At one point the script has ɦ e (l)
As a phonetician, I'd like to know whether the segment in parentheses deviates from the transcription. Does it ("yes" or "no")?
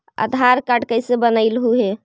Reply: yes